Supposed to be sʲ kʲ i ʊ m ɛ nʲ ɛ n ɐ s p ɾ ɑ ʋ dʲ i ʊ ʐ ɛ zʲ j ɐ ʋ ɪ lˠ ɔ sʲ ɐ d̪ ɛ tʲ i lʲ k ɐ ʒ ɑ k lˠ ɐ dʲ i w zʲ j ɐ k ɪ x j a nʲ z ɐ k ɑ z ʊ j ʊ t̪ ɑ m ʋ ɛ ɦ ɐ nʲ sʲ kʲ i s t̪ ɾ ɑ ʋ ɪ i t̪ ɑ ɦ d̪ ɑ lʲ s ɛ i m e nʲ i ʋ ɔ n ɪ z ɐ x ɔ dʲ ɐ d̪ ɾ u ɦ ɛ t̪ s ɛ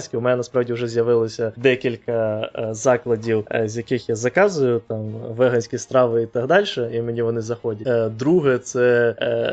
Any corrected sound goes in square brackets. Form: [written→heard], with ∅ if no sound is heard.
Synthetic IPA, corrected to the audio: sʲ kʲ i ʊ m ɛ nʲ ɛ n ɐ s p ɾ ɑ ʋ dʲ i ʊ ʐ ɛ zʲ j ɐ ʋ ɪ lˠ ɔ sʲ ɐ d̪ ɛ [tʲ→kʲ] i lʲ k ɐ [ʒ→z] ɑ k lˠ ɐ dʲ i w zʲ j ɐ k ɪ x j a [nʲ→∅] z ɐ k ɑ z ʊ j ʊ t̪ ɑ m ʋ ɛ ɦ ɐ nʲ sʲ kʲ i s t̪ ɾ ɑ ʋ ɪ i t̪ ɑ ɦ d̪ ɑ lʲ [s→ʃ] ɛ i m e nʲ i ʋ ɔ n ɪ z ɐ x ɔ dʲ ɐ d̪ ɾ u ɦ ɛ t̪ s ɛ